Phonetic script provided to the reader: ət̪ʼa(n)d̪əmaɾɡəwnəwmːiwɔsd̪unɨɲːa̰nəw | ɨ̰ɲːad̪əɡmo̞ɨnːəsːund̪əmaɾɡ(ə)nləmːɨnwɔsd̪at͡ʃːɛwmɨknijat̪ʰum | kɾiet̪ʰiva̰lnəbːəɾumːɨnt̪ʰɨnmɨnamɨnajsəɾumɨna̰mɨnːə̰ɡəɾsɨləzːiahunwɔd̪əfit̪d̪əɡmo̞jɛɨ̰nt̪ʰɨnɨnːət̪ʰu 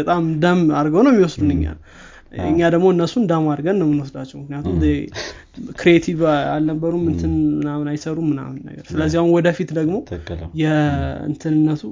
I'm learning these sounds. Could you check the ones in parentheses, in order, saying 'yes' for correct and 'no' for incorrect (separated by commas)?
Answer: no, yes